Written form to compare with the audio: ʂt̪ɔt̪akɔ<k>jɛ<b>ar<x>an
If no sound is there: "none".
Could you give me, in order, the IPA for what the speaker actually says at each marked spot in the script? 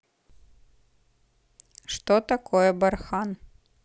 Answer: none, b, x

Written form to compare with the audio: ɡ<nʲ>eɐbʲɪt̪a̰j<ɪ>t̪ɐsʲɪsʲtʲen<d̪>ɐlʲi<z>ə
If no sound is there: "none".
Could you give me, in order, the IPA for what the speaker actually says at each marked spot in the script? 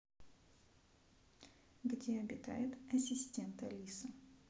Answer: dʲ, ɪ, t̪, s

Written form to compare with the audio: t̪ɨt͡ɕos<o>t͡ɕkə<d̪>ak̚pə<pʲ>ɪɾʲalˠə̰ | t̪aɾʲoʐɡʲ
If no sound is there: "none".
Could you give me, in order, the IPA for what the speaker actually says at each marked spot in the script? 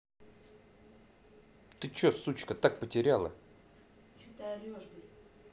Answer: u, t̪, tʲ

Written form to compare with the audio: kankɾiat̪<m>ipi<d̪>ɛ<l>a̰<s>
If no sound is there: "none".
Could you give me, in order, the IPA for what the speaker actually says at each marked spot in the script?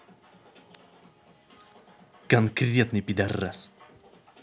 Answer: n, d̪, r, s

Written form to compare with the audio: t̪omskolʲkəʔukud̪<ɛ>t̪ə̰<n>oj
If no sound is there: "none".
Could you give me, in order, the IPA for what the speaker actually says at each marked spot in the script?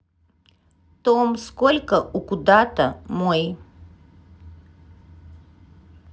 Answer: a, m

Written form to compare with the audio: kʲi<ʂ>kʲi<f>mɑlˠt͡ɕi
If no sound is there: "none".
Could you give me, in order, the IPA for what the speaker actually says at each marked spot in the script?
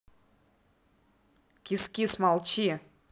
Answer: s, s

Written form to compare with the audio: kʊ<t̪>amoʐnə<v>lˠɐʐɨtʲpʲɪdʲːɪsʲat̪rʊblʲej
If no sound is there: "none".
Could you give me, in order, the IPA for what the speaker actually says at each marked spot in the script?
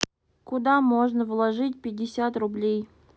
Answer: d̪, v

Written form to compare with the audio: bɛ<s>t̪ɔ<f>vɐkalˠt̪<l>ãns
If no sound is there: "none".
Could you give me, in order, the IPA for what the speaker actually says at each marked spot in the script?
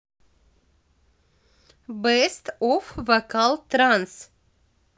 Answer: s, f, ɾ

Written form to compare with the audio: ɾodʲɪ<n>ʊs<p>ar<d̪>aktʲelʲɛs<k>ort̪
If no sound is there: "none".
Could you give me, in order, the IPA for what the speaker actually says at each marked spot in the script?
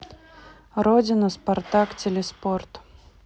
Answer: n, p, t̪, p

